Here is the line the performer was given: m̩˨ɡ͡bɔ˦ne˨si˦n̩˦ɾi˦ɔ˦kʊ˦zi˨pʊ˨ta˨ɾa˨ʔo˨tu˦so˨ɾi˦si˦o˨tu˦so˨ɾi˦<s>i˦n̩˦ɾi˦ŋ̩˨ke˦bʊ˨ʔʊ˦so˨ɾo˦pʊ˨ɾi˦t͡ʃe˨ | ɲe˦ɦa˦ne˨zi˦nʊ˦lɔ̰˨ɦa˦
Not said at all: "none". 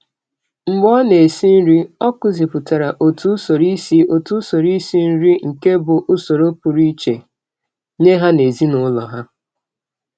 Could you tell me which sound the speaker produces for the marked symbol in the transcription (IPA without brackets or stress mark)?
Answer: s